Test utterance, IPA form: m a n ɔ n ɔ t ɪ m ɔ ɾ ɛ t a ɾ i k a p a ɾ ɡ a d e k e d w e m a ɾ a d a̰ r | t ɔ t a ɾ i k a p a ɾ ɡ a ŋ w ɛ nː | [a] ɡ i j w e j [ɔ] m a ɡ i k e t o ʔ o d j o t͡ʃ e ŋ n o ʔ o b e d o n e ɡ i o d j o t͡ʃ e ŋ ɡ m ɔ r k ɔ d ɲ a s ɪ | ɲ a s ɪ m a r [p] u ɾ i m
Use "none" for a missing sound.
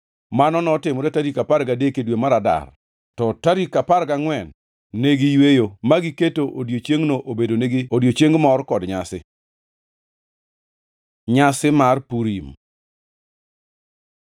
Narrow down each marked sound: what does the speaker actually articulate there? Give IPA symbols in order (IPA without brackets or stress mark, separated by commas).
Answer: e, o, p